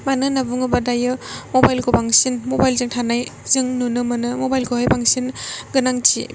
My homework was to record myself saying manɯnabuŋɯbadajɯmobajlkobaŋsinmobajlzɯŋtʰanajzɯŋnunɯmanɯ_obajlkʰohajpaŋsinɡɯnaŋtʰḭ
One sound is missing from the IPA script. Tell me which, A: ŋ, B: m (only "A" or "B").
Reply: B